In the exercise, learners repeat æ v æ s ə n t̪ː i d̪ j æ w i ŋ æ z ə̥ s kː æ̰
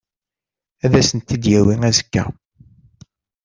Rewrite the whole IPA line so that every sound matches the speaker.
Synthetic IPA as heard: æ ð æ s ə n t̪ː i d̪ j æ w i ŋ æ z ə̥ kː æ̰